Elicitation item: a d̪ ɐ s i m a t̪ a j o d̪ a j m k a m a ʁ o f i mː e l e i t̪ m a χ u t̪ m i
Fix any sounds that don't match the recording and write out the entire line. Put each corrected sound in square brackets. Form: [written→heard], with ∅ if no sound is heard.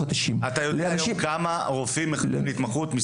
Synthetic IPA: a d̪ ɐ [s→ʃ] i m a t̪ a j o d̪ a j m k a m a ʁ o f i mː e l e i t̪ m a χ u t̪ m i